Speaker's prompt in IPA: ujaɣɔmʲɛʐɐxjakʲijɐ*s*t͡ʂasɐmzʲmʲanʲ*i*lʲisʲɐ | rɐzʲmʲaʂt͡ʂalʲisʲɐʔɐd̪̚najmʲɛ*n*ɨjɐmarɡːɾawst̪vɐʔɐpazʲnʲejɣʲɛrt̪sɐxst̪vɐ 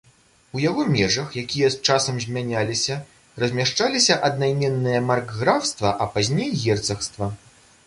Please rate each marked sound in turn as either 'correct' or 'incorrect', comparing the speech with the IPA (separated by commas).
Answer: correct, incorrect, incorrect